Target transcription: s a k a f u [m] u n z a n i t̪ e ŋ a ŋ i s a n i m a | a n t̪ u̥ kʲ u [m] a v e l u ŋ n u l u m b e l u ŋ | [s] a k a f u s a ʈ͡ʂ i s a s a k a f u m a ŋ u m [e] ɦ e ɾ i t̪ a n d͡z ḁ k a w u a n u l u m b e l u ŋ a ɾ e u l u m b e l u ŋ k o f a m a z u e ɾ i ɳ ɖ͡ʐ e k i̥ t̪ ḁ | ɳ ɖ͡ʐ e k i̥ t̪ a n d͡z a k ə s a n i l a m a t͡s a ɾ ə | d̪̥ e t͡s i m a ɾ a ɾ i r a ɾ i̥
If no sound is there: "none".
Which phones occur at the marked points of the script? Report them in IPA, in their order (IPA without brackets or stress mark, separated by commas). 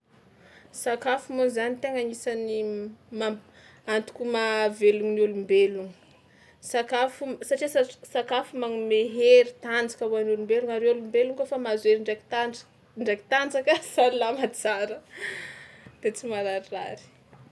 m, m, s, e